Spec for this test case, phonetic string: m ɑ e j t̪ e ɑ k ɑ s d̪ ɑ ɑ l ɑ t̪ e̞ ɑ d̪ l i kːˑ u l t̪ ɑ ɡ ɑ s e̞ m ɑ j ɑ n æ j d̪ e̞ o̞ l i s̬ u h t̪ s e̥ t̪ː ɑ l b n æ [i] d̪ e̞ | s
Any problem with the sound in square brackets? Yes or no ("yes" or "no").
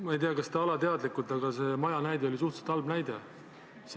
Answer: yes